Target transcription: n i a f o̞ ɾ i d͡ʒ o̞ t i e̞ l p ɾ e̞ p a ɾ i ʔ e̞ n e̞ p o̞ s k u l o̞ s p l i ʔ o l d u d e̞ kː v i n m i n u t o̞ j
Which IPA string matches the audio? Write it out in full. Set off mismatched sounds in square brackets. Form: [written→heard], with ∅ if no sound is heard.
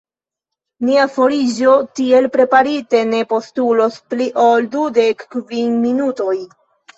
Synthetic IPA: n i a f o̞ ɾ i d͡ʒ o̞ t i e̞ l p ɾ e̞ p a ɾ i [ʔ→t] e̞ n e̞ p o̞ s [k→t] u l o̞ s p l i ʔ o l d u d e̞ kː v i n m i n u t o̞ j